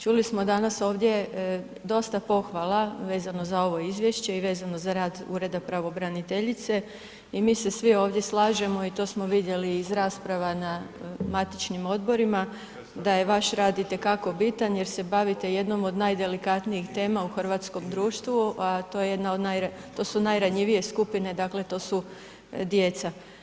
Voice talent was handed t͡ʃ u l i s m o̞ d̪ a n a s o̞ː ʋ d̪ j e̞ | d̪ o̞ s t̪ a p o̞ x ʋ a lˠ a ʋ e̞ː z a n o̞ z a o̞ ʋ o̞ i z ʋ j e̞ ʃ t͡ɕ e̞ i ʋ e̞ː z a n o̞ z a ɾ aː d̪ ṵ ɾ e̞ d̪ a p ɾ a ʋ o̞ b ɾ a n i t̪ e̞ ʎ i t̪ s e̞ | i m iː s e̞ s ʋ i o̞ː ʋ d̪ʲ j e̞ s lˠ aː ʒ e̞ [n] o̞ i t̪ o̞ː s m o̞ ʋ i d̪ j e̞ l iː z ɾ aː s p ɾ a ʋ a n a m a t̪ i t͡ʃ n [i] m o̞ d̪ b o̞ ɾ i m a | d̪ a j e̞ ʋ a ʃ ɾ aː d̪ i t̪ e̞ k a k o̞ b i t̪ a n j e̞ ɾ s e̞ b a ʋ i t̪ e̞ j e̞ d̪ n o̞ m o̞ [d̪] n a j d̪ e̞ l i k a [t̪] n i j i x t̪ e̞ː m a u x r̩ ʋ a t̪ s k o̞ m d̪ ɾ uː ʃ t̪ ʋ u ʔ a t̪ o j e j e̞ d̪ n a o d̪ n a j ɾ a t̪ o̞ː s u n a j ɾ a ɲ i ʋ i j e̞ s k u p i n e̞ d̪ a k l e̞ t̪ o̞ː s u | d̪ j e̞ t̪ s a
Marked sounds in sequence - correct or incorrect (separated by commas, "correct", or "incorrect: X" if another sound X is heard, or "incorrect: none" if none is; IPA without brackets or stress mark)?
incorrect: m, correct, correct, correct